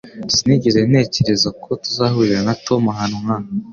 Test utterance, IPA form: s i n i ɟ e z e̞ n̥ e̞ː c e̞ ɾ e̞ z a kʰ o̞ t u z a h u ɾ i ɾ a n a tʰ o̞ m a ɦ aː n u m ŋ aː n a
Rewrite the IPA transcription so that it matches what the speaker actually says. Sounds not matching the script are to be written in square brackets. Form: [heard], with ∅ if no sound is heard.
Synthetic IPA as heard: s i n i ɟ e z e̞ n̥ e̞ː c e̞ ɾ e̞ z a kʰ o̞ t u z a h u ɾ i ɾ a n a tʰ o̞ m a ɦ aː n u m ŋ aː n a